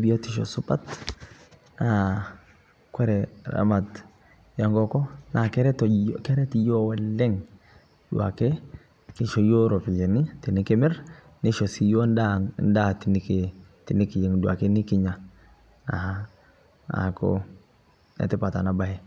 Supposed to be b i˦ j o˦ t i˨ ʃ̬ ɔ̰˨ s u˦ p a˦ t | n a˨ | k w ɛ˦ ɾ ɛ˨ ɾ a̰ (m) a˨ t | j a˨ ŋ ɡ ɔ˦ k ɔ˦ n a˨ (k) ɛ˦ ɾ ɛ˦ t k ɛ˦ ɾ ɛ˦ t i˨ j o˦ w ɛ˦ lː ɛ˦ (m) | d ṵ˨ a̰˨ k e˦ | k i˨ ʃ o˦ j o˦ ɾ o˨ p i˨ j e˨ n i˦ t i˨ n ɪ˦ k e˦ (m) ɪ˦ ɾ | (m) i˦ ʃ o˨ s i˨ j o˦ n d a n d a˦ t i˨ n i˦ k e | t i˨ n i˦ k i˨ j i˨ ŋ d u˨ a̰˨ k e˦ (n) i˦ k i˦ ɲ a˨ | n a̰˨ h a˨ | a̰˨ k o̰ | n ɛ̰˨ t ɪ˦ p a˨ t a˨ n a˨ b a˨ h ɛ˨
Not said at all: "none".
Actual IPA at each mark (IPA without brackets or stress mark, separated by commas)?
m, k, ŋ, m, n, n